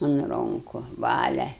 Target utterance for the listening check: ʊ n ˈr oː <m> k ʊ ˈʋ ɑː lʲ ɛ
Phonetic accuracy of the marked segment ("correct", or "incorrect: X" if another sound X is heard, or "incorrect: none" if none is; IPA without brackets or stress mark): incorrect: ŋ